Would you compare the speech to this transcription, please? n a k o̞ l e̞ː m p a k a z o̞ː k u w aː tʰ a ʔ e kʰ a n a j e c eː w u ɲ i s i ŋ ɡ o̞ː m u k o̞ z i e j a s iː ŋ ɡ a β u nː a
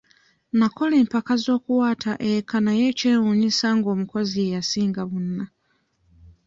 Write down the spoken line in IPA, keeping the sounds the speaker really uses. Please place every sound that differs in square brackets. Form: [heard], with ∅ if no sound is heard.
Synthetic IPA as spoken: n a k o̞ l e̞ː m p a k a z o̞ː k u w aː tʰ a ʔ e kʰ a n a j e c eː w u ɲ i s [a] ŋ ɡ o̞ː m u k o̞ z i e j a s iː ŋ ɡ a β u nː a

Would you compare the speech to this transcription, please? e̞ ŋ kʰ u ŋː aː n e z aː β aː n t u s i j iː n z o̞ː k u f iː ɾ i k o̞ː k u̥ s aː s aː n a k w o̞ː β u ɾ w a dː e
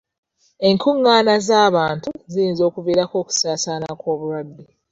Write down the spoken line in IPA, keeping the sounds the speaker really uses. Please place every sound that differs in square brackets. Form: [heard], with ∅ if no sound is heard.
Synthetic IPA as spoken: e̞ ŋ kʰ u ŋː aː n [a] z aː β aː n t u [z] i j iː n z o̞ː k u [v] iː ɾ [a] k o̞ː k u̥ s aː s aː n a k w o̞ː β u ɾ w a dː e

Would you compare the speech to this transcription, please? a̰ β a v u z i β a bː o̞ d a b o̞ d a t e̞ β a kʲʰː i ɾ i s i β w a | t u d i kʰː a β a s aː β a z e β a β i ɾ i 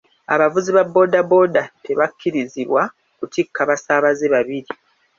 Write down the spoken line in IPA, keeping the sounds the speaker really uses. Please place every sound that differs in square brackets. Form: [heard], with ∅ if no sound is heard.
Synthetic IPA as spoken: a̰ β a v u z i β a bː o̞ d a b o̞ d a t e̞ β a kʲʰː i ɾ i [z] i β w a | [k] u [t] i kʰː a β a s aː β a z e β a β i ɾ i

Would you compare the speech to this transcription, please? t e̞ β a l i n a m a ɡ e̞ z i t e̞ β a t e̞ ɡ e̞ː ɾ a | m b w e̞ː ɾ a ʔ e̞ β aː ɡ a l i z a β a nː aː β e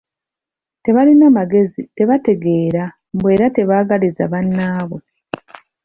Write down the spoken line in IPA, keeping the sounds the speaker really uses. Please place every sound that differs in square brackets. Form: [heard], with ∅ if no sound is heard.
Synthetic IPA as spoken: t e̞ β a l i n a m a ɡ e̞ z i t e̞ β a t e̞ ɡ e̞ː ɾ a | m b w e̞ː ɾ a [t] e̞ β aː ɡ a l i z a β a nː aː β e

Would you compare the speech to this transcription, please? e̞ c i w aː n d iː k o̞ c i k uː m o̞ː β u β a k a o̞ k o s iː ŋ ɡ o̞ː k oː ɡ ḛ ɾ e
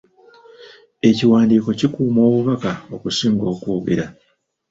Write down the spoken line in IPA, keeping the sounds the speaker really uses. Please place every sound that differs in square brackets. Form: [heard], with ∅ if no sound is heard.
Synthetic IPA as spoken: e̞ c i w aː n d iː k o̞ c i k uː m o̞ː β u β a k a o̞ k [u] s iː ŋ ɡ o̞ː k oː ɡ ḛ ɾ [a]

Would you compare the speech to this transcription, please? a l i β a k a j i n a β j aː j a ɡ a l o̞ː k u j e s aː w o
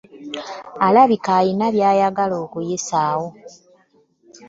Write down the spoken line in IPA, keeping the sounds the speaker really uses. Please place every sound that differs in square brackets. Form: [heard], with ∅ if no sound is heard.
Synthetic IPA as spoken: a l [a] β [i] k a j i n a β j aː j a ɡ a l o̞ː k u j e s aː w o

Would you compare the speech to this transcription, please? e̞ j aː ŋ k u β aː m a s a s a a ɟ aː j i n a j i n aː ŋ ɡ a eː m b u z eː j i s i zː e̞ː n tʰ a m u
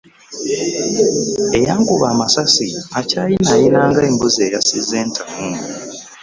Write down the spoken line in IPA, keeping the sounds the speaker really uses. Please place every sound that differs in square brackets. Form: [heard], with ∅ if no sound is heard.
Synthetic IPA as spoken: e̞ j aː ŋ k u β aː m a s a s [i] a [c] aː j i n a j i n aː ŋ ɡ a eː m b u z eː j [a] s i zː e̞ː n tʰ a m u

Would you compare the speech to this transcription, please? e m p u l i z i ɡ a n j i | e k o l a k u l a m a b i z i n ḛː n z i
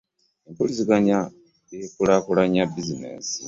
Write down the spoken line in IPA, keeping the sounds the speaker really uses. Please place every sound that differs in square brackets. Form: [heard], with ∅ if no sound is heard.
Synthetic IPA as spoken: e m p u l i z i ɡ a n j [a] | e k [u] l a k u l a [ɲ] a b i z i n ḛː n [s] i

